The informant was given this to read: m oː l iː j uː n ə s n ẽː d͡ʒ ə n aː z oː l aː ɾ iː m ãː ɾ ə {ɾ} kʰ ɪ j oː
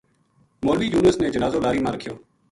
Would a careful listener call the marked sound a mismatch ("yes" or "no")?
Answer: yes